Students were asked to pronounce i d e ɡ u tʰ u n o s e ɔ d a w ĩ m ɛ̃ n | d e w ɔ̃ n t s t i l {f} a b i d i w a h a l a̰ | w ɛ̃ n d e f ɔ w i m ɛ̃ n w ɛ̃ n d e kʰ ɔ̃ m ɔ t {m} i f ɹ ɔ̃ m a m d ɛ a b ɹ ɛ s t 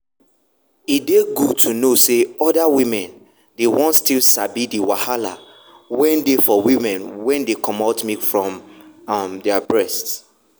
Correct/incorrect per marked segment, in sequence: incorrect, correct

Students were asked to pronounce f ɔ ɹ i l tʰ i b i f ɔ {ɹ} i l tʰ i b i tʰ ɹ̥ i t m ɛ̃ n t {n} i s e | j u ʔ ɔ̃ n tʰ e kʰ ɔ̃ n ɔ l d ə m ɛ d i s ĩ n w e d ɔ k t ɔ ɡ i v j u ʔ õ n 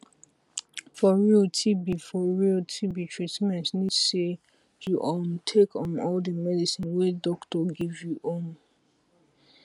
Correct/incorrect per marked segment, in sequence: correct, correct

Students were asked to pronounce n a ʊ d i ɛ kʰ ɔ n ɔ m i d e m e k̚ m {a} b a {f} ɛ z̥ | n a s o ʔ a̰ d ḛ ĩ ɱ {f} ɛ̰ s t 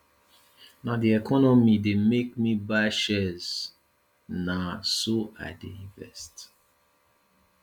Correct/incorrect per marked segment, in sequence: incorrect, incorrect, incorrect

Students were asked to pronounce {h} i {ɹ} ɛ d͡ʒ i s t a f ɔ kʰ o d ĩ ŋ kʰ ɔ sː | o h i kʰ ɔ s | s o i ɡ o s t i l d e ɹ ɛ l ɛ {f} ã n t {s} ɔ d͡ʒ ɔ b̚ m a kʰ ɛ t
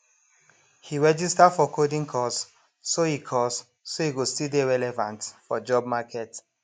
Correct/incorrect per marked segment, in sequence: correct, correct, incorrect, incorrect

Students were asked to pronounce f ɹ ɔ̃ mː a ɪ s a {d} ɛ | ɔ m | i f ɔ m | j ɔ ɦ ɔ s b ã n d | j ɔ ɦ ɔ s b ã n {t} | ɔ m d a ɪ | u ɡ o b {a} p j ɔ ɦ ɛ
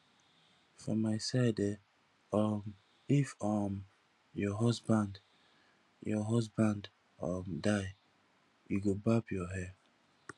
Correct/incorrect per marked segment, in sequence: correct, incorrect, correct

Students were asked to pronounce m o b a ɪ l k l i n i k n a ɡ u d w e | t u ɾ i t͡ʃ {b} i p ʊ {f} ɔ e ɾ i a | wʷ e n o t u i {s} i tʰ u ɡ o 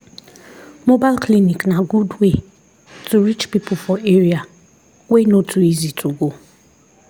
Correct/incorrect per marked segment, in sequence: incorrect, correct, incorrect

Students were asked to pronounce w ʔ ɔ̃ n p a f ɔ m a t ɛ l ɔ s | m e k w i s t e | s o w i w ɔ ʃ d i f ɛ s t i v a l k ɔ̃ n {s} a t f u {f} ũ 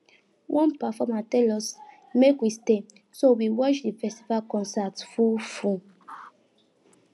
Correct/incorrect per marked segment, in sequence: correct, correct

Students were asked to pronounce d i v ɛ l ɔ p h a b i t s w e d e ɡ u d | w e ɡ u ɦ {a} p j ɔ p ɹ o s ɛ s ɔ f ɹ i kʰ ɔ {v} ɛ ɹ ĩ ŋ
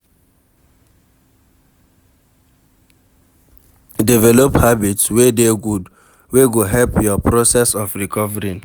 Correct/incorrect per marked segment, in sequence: incorrect, correct

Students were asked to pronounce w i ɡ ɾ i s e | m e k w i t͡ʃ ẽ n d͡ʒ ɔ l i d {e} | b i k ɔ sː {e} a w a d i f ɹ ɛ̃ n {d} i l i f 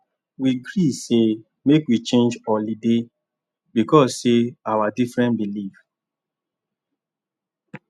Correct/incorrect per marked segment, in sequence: correct, correct, incorrect

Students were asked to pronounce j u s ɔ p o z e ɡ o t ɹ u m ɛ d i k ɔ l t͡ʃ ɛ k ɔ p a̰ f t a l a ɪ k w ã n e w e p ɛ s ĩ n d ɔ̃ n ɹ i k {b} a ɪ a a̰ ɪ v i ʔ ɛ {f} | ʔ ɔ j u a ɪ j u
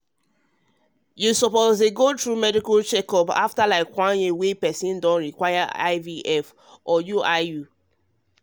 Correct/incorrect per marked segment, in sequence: incorrect, correct

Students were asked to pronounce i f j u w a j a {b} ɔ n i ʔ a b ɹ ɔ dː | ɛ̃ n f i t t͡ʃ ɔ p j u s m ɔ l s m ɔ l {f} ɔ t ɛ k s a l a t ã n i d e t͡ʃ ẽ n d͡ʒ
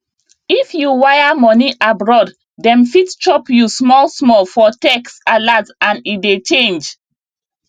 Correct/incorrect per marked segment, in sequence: incorrect, correct

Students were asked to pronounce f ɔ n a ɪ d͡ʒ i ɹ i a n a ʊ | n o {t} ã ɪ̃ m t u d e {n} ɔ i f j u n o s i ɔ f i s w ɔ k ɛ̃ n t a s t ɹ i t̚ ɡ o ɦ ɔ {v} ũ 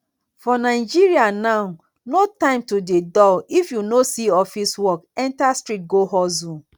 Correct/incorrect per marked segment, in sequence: correct, incorrect, incorrect

